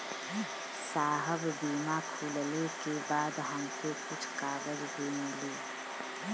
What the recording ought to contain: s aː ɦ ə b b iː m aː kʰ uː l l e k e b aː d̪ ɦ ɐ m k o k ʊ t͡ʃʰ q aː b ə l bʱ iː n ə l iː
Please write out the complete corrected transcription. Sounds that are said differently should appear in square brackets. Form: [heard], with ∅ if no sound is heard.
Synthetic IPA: s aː ɦ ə b b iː m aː kʰ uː l l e k e b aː d̪ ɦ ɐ m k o k ʊ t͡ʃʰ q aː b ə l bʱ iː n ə l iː